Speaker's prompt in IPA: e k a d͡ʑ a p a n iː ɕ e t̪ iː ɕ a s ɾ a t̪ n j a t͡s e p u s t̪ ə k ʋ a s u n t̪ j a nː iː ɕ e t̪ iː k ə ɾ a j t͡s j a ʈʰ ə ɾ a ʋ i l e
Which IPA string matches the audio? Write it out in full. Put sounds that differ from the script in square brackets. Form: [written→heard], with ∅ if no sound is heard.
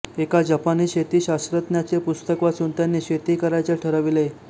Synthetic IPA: e k a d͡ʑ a p a n iː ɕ e t̪ iː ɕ a s ɾ [a→ə] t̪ n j a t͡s e p u s t̪ ə k ʋ a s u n t̪ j a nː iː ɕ e t̪ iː k ə ɾ a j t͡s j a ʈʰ ə ɾ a ʋ i l e